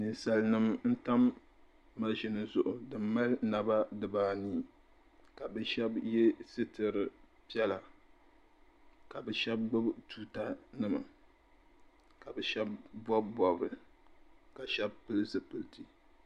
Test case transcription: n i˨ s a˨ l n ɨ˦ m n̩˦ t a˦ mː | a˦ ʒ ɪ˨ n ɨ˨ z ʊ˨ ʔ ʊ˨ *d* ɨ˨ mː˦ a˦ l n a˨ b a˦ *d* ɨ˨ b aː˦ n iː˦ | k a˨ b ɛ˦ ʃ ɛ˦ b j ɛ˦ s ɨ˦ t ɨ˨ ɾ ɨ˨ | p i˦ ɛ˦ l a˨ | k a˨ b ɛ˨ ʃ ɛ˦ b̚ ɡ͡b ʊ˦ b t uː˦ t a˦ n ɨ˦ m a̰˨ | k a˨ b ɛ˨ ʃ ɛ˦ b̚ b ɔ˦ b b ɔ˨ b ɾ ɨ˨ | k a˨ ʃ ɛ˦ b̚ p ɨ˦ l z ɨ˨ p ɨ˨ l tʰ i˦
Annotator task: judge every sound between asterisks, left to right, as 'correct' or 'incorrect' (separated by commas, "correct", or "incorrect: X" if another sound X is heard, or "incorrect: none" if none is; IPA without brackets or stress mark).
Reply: correct, correct